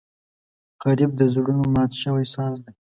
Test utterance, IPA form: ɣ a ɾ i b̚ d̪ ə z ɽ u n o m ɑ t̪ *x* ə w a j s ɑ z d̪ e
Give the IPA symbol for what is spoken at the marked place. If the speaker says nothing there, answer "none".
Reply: ʃ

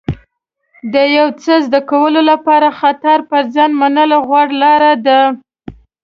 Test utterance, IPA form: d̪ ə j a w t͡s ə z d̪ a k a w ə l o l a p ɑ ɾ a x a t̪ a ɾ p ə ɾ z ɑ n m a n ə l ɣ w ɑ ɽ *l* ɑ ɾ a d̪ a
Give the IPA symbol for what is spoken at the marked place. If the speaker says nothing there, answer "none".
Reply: l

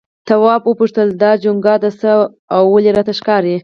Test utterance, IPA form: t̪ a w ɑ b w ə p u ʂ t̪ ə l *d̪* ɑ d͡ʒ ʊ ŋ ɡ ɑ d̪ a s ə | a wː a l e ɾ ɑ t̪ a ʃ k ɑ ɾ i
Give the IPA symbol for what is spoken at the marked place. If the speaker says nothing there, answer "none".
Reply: d̪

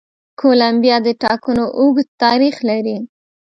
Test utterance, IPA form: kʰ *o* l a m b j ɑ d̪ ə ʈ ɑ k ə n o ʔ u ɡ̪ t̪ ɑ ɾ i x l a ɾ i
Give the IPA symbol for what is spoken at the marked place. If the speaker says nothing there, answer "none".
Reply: o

